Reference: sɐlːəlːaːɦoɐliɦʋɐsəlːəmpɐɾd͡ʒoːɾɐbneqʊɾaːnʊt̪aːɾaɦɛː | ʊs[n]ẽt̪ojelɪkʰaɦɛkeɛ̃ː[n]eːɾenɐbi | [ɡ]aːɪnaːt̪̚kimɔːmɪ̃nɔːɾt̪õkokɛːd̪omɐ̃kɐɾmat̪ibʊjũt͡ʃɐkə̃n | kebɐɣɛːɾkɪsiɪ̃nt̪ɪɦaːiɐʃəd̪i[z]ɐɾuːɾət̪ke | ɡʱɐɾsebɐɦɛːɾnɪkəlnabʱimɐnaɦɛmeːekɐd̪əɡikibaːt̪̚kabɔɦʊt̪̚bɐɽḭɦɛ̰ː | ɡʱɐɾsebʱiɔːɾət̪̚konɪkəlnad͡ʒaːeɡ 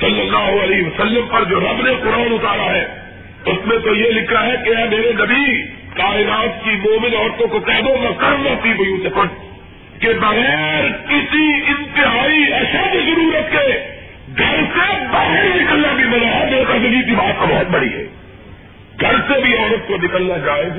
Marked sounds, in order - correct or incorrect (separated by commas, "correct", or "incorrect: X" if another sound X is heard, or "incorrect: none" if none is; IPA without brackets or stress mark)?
incorrect: m, incorrect: m, incorrect: k, correct